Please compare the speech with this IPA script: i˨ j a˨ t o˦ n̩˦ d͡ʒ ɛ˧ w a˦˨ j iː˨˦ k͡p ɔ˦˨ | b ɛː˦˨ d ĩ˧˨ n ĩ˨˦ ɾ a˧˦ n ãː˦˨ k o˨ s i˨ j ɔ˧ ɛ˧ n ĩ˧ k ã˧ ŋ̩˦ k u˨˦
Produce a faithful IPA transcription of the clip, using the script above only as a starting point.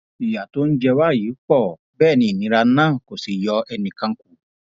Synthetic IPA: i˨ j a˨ t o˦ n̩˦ d͡ʒ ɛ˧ w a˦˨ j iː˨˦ k͡p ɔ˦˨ | b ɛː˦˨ n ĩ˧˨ n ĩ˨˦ ɾ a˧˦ n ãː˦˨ k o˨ s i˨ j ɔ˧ ɛ˧ n ĩ˧ k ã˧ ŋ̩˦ k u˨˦